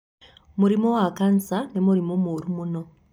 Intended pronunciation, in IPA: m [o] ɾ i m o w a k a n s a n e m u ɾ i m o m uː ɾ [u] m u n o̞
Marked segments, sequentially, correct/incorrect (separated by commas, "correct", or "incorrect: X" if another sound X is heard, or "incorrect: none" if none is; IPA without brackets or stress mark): incorrect: u, correct